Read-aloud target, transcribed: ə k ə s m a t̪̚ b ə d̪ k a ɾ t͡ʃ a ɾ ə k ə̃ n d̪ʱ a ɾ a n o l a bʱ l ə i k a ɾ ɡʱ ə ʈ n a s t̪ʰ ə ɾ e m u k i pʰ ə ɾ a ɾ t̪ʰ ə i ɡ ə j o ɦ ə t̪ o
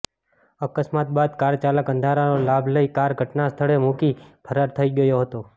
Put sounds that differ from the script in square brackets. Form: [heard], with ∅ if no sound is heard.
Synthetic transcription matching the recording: ə k ə s m a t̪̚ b [a] d̪ k a ɾ t͡ʃ a [l] ə k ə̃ n d̪ʱ a ɾ a n o l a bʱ l ə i k a ɾ ɡʱ ə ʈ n a s t̪ʰ ə [ɭ] e m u k i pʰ ə ɾ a ɾ t̪ʰ ə i ɡ ə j o ɦ ə t̪ o